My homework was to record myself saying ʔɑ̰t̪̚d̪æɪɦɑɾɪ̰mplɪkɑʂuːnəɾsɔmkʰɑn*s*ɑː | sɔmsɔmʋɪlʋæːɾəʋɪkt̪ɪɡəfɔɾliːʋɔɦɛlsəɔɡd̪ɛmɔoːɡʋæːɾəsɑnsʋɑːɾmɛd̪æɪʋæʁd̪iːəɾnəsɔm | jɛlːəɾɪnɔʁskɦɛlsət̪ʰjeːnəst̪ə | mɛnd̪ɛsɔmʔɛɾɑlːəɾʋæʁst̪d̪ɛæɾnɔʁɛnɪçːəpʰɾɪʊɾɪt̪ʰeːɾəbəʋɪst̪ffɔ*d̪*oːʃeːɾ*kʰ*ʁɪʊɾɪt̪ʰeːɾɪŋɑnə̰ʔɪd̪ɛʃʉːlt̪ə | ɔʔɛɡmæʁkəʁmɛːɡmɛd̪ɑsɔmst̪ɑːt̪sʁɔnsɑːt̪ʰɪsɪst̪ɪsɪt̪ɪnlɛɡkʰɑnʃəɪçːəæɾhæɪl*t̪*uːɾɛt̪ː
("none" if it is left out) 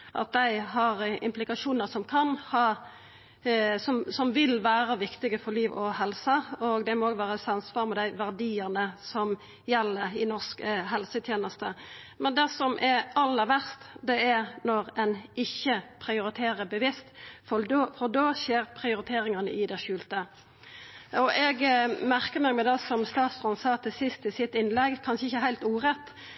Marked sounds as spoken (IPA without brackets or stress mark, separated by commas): h, d̪, pʰ, t̪